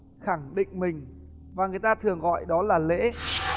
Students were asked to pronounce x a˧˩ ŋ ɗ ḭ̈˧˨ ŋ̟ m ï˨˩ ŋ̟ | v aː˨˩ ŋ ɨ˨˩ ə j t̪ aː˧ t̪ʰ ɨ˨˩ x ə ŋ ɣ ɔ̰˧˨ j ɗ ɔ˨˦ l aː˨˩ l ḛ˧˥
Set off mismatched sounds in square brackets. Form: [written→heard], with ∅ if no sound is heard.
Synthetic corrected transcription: x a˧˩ ŋ ɗ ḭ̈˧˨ ŋ̟ m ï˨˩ ŋ̟ | v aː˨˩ ŋ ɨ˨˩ ə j t̪ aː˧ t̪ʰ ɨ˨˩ [x→∅] ə ŋ ɣ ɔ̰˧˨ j ɗ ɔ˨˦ l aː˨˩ l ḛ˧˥